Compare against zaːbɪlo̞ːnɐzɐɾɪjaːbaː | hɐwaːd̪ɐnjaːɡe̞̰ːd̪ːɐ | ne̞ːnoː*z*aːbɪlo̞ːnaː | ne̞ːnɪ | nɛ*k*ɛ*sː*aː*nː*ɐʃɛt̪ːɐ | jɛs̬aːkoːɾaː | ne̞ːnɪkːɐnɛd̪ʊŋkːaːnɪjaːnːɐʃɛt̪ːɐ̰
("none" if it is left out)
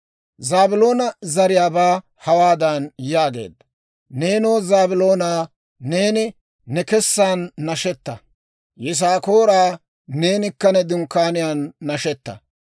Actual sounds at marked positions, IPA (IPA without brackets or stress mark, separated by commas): z, k, sː, nː